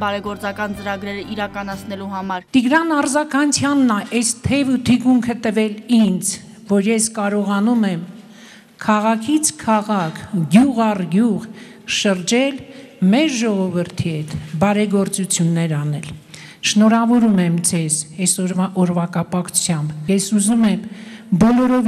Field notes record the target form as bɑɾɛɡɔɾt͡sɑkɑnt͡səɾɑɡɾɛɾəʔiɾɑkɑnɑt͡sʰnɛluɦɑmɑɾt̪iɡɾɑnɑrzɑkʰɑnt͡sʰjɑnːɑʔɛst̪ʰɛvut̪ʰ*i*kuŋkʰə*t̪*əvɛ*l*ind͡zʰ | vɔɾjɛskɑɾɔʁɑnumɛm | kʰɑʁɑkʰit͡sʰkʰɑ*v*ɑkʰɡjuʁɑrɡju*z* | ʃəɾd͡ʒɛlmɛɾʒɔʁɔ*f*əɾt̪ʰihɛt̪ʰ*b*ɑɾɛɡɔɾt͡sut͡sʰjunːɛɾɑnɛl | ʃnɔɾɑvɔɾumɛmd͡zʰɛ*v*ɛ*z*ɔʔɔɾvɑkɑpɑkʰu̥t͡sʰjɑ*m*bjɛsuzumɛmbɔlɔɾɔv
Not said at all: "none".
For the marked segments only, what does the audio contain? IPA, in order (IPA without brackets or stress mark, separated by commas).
i, t̪, l, ʁ, ʁ, v, b, z, s, m